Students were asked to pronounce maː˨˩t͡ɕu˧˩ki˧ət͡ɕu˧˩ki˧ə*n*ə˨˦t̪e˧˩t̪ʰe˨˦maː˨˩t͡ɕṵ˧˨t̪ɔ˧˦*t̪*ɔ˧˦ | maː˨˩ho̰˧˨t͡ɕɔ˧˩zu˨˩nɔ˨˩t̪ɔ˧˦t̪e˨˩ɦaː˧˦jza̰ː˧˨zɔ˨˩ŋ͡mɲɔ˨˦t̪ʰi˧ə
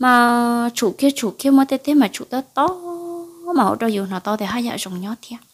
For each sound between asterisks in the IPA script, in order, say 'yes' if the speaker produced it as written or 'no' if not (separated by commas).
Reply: no, yes